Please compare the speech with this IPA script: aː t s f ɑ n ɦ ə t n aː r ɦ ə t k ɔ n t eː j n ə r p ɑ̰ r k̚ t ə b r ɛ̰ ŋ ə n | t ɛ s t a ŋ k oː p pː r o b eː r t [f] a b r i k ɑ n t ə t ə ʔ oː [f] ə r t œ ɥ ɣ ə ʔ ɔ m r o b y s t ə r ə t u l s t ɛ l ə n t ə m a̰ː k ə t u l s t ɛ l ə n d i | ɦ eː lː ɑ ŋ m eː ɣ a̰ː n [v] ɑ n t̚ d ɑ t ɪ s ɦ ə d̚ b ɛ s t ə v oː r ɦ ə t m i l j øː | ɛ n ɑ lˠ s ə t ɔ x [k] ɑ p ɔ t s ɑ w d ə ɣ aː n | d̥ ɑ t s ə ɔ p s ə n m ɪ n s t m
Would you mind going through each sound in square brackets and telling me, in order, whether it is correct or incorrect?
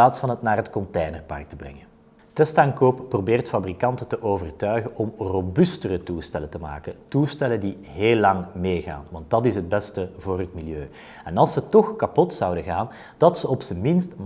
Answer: correct, incorrect, incorrect, correct

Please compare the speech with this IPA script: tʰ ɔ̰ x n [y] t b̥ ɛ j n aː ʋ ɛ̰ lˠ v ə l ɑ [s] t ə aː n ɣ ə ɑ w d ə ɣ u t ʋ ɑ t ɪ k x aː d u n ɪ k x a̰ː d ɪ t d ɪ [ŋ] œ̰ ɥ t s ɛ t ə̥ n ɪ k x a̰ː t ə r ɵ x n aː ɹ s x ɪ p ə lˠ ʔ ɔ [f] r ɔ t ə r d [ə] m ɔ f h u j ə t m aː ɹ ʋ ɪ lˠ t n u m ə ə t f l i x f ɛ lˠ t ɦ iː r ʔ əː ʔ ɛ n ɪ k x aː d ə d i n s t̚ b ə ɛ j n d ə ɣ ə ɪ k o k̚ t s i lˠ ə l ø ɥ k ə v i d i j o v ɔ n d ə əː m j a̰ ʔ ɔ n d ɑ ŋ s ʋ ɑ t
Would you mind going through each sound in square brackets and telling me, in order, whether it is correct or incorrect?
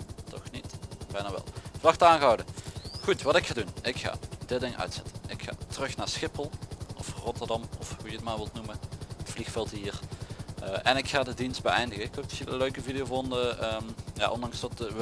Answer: incorrect, incorrect, correct, correct, incorrect

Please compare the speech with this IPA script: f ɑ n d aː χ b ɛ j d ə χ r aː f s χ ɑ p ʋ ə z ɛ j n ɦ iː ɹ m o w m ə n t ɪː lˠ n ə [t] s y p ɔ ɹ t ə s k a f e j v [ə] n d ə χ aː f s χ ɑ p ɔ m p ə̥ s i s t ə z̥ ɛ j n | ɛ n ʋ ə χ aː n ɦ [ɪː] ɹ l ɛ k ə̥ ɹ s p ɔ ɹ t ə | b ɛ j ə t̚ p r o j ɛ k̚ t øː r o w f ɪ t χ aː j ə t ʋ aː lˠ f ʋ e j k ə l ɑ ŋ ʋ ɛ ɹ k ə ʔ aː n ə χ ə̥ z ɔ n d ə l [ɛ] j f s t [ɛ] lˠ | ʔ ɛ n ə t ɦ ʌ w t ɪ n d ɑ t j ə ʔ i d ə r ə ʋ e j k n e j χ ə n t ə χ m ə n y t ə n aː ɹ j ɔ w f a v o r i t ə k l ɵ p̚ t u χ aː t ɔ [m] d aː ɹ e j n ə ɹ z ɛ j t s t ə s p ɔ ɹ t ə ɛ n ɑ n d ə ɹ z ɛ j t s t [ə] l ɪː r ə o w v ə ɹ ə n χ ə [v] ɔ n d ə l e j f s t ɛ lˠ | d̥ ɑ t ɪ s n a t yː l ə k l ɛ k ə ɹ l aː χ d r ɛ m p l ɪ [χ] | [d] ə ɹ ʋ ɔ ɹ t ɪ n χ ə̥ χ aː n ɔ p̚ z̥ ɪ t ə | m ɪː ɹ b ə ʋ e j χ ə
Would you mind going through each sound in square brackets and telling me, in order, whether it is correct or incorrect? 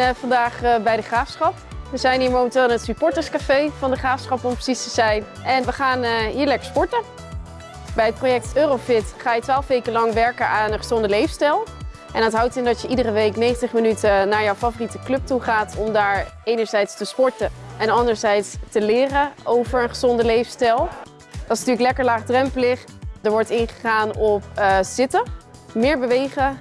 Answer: correct, incorrect, incorrect, incorrect, correct, correct, correct, incorrect, correct, correct

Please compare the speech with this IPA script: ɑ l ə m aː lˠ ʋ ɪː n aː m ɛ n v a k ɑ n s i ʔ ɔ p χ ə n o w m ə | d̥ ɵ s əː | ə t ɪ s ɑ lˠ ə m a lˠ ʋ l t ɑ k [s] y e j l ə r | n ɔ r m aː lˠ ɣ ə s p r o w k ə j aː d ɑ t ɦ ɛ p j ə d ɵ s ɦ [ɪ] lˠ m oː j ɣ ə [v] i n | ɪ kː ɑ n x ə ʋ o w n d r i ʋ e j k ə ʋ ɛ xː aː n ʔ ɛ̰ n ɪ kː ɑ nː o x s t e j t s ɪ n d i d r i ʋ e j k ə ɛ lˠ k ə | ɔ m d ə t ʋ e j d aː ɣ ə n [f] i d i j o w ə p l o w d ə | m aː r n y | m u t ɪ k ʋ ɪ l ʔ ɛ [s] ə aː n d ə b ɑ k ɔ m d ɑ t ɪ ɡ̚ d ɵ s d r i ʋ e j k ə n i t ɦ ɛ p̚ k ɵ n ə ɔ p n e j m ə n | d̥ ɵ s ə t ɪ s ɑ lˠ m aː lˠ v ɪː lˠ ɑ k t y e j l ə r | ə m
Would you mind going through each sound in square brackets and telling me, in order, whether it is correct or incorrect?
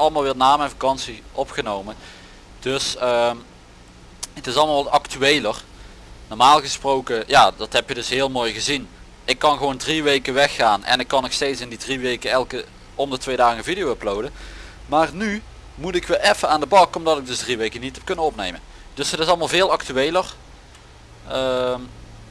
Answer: incorrect, incorrect, incorrect, incorrect, incorrect

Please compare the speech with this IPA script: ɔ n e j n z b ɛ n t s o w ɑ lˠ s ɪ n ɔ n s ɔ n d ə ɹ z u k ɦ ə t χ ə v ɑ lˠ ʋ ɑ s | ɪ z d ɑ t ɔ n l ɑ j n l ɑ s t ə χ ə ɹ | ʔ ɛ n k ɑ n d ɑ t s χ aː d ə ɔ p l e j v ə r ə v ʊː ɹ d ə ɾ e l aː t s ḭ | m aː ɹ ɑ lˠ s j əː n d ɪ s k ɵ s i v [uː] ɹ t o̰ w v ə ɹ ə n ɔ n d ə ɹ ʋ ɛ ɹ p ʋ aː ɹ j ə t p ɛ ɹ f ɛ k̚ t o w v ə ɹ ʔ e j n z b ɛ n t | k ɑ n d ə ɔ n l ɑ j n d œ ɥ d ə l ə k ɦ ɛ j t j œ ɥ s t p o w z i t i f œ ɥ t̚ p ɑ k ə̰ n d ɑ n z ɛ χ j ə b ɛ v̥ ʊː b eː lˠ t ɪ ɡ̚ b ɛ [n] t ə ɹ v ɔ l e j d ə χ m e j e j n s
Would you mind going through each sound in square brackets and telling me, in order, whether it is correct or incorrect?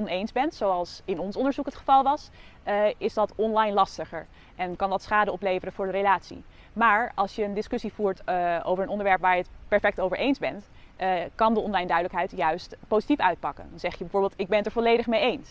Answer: correct, correct

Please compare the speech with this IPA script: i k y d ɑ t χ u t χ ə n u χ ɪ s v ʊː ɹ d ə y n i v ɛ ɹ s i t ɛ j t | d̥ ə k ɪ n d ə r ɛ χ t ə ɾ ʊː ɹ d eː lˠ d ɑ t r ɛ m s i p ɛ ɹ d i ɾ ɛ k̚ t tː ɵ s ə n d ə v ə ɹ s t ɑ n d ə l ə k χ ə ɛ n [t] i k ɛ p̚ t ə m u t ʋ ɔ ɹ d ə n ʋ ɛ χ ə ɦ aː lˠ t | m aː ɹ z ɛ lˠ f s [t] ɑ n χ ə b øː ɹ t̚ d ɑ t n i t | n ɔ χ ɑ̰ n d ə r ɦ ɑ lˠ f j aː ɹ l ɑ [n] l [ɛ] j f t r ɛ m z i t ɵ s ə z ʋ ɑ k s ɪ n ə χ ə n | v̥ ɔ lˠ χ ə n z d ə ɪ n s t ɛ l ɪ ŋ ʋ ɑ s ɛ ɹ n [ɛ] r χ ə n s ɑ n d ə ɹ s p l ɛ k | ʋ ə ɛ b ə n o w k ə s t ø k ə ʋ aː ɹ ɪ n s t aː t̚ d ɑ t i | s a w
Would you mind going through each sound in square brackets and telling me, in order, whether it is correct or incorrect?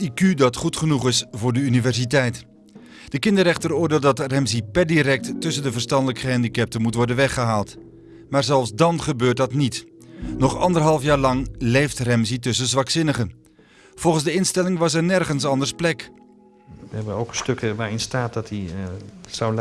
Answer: incorrect, incorrect, incorrect, incorrect, correct

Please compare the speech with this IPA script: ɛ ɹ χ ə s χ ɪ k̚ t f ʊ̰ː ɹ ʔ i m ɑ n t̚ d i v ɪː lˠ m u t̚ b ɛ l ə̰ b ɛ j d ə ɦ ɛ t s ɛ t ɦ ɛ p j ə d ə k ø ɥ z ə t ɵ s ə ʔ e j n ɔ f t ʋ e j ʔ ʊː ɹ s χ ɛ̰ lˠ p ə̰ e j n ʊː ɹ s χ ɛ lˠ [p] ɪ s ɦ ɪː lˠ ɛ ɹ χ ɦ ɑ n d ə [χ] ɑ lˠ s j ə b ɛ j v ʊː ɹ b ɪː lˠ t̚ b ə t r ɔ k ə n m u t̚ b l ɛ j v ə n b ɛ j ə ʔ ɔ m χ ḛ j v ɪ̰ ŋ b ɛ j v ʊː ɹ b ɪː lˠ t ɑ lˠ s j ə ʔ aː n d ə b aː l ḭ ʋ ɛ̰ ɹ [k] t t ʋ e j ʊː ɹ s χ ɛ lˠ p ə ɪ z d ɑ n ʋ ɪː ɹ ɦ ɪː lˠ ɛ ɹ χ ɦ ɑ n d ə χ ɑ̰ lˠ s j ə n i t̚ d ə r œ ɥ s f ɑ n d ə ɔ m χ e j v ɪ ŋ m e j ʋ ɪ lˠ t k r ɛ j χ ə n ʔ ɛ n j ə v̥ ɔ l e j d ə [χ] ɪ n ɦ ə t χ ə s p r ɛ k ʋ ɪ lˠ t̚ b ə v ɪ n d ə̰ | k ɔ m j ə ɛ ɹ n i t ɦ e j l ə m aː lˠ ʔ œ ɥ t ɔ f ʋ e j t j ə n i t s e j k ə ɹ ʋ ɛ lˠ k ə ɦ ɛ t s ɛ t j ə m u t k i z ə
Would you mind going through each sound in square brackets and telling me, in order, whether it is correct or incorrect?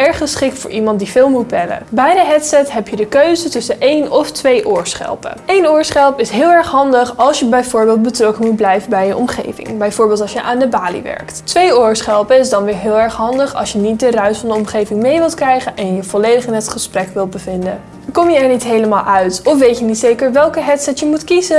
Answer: correct, correct, correct, correct

